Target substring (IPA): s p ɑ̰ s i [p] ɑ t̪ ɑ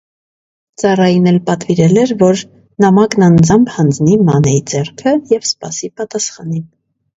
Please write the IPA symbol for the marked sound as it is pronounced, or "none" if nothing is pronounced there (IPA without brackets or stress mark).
p